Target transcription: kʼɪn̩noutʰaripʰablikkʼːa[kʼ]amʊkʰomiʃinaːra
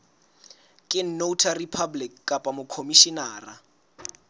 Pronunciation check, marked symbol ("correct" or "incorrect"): incorrect